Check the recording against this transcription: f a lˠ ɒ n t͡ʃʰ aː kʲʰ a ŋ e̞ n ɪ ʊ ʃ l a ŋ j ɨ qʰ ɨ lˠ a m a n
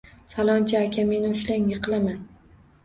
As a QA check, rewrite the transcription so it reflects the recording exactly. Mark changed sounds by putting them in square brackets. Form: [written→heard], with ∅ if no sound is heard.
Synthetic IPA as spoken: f a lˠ ɒ n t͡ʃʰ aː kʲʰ a [ŋ→m] e̞ n ɪ ʊ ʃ l a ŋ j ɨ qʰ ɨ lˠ a m a n

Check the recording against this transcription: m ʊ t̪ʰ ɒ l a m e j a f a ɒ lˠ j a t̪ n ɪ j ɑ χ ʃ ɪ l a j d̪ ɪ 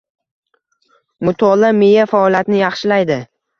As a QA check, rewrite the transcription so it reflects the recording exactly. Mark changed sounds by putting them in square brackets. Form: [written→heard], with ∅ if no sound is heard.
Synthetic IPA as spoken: m ʊ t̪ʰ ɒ l a m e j a f a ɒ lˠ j a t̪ n ɪ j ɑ χ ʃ ɪ l a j d̪ ɪ

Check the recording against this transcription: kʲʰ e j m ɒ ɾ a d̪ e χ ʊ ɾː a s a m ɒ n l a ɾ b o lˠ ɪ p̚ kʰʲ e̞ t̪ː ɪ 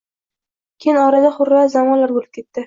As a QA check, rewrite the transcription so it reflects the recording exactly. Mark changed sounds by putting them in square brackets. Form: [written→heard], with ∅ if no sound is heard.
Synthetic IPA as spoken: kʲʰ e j [m→n] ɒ ɾ a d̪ [e→a] χ ʊ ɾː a [s→z] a m ɒ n l a ɾ b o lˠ ɪ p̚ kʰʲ e̞ t̪ː ɪ

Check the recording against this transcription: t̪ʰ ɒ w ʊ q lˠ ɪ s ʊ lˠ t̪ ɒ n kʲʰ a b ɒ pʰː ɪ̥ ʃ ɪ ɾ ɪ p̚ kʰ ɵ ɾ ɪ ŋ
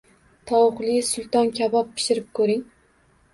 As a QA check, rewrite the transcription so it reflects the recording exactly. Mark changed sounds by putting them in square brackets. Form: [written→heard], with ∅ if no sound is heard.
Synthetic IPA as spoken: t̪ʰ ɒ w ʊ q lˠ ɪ s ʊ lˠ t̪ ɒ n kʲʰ a b ɒ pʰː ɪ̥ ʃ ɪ ɾ ɪ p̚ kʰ ɵ ɾ ɪ ŋ

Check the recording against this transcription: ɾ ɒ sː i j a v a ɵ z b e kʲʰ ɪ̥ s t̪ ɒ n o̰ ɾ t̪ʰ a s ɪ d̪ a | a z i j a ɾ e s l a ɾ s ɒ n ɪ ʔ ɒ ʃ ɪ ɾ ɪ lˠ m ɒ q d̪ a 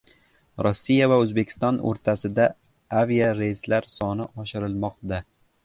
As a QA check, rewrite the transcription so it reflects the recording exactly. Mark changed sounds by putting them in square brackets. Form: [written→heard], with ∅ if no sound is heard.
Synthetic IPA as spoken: ɾ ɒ sː i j a v a ɵ z b e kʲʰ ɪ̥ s t̪ ɒ n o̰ ɾ t̪ʰ a s ɪ d̪ a | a [z→v] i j a ɾ e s l a ɾ s ɒ n ɪ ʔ ɒ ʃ ɪ ɾ ɪ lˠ m ɒ q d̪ a

